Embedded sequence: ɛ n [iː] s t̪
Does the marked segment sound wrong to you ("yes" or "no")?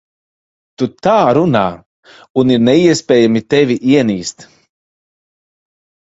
no